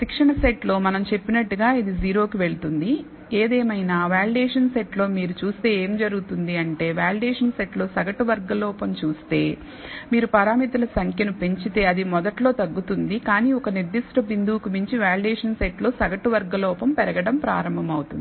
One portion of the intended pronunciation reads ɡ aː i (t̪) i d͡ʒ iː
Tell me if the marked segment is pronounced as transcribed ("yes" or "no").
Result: no